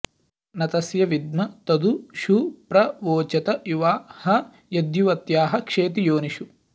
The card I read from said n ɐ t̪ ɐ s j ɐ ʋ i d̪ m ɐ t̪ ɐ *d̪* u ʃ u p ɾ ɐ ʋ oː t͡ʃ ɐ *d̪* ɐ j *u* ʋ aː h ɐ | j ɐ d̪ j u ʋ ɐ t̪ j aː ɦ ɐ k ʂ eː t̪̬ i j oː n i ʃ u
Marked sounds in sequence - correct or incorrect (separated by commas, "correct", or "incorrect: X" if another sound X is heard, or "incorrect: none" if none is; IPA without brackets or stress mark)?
correct, incorrect: t̪, correct